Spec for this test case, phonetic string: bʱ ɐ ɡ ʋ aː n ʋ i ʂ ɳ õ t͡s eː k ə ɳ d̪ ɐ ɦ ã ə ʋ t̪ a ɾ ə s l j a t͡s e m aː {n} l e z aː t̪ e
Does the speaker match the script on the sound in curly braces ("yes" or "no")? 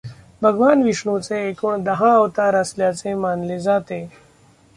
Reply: yes